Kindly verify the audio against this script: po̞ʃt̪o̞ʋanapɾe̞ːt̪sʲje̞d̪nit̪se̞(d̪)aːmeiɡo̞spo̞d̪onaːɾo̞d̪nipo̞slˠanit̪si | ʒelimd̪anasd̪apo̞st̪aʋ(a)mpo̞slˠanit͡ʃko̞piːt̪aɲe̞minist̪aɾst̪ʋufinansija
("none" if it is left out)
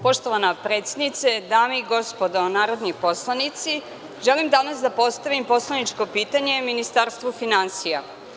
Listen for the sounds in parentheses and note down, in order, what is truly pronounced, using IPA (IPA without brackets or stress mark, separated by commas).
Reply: d̪, i